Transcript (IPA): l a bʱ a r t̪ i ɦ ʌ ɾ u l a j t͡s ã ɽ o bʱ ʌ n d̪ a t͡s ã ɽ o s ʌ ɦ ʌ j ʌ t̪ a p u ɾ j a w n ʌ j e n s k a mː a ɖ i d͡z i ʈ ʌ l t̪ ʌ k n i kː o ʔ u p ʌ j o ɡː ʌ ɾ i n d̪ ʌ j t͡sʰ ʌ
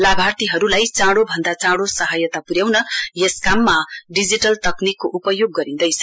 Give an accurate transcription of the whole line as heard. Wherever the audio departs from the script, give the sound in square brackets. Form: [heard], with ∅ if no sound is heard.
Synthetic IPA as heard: l a bʱ a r t̪ i ɦ ʌ ɾ u l a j t͡s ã ɽ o bʱ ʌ n d̪ a t͡s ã ɽ o s ʌ ɦ ʌ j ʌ t̪ a p u ɾ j a w n ʌ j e [∅] s k a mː a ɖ i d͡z i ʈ ʌ l t̪ ʌ k n i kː o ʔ u p ʌ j o ɡː ʌ ɾ i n d̪ ʌ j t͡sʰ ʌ